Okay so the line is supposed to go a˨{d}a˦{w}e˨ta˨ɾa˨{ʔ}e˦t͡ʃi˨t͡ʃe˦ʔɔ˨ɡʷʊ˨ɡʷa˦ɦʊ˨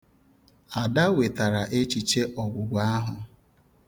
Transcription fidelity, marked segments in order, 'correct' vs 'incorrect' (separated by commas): correct, correct, correct